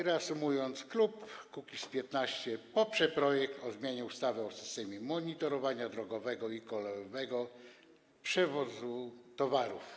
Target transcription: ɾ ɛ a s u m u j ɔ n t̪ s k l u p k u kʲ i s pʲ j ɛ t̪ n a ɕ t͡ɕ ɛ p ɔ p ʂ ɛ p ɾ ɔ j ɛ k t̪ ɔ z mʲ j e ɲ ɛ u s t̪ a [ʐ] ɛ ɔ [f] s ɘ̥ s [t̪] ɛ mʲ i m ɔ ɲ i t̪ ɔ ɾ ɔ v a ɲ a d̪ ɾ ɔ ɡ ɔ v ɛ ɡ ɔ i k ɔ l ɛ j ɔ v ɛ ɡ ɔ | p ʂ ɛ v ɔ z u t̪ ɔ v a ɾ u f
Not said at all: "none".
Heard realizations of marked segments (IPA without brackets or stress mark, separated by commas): v, none, t̪